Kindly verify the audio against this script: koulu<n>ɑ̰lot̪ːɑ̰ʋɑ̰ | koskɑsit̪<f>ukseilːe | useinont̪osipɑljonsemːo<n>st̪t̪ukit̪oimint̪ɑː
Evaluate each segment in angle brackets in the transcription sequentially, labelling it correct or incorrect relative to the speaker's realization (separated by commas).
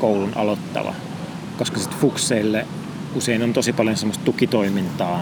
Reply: correct, correct, incorrect